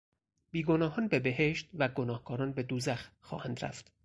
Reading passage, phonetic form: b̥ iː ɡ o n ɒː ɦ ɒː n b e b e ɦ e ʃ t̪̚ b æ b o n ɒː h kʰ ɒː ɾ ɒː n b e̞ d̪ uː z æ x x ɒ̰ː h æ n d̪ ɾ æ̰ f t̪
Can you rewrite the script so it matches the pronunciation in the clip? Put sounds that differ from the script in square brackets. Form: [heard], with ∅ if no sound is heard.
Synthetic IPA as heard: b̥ iː ɡ o n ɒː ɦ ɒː n b e b e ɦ e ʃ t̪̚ [v] æ [ɡ] o n ɒː h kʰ ɒː ɾ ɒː n b e̞ d̪ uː z æ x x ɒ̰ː h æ n d̪ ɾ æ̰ f t̪